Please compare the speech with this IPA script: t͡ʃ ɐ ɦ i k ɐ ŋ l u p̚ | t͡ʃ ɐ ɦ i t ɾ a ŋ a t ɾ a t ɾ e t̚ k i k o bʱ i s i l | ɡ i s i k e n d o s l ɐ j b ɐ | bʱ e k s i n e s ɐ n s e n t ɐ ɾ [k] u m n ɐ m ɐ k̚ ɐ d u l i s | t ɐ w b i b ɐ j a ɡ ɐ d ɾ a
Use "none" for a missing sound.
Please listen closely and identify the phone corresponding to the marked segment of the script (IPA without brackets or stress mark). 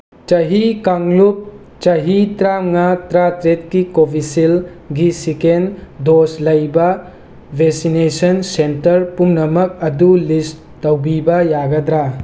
p